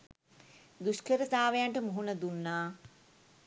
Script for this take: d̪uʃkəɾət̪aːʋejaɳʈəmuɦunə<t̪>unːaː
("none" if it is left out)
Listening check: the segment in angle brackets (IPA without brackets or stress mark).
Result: d̪